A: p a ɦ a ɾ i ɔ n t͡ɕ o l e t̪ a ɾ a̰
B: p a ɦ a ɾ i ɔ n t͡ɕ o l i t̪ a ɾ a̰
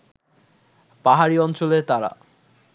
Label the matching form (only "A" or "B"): A